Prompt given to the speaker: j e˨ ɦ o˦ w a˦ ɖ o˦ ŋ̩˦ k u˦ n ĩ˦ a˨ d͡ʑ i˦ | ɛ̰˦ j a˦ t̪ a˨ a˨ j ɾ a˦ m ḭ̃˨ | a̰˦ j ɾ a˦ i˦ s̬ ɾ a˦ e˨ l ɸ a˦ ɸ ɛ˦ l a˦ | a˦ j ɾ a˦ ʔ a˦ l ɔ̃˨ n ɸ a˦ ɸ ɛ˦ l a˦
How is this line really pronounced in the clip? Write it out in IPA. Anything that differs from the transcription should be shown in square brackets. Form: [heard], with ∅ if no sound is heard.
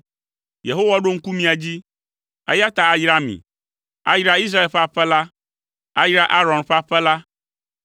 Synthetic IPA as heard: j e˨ ɦ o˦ w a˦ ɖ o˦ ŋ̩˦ k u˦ [m] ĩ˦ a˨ d͡ʑ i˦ | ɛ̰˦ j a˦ t̪ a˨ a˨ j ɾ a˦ m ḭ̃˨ | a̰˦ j ɾ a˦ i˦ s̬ ɾ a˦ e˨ l ɸ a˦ ɸ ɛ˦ l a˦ | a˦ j ɾ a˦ ʔ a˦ [ɾ] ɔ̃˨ n ɸ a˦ ɸ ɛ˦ l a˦